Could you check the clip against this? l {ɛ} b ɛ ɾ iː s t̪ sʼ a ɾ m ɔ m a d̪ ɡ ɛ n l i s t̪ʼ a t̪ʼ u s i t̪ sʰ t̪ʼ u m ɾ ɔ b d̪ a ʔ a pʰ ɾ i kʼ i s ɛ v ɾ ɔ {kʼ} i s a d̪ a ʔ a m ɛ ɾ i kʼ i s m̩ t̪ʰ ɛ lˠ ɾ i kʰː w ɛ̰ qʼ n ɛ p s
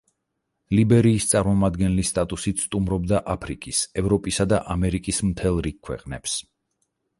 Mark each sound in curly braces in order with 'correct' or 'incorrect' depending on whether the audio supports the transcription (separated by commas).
incorrect, incorrect